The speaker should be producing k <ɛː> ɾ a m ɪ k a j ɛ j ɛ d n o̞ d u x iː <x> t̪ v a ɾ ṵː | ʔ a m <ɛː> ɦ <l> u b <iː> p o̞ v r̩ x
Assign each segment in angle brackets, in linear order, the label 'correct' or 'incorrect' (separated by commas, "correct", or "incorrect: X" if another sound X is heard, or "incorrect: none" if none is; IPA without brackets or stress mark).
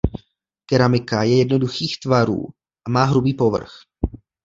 incorrect: ɛ, correct, incorrect: aː, incorrect: ɾ, correct